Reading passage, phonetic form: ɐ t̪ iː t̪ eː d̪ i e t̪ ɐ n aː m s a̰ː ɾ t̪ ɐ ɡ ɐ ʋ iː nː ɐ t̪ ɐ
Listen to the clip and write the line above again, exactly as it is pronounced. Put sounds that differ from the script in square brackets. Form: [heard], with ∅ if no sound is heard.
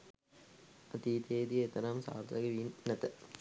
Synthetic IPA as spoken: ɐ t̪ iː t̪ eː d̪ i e t̪ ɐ n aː m s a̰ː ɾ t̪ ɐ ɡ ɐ ʋ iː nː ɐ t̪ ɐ